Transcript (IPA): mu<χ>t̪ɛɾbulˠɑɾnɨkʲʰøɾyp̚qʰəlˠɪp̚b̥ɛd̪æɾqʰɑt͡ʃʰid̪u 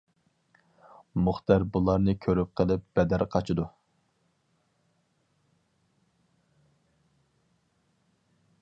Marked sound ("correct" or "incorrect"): correct